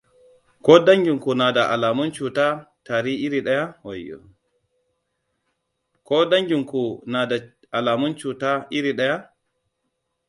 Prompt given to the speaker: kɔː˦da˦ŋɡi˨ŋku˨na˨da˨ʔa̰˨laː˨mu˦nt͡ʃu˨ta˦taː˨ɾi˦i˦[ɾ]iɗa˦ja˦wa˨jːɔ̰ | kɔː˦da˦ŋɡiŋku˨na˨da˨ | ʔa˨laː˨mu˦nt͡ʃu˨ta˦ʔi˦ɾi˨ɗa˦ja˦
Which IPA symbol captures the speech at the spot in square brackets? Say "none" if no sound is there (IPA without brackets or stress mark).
ɾ